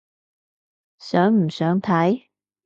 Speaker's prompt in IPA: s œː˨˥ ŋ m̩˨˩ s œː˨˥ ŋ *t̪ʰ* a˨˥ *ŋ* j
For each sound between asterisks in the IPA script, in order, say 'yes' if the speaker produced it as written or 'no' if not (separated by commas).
yes, no